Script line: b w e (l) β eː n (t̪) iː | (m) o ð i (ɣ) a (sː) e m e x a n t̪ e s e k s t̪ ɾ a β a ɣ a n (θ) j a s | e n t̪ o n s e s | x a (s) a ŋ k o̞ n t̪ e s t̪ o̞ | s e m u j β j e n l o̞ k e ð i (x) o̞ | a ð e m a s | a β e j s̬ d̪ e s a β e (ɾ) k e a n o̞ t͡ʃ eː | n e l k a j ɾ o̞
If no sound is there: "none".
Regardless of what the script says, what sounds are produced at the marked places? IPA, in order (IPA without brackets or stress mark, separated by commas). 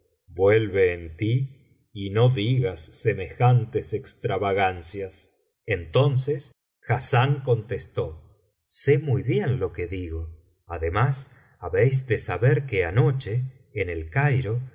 l, t̪, n, ɣ, sː, s, s, ɣ, ɾ